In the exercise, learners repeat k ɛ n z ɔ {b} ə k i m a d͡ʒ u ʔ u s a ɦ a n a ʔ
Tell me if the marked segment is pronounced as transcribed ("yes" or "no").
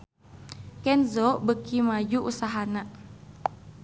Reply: yes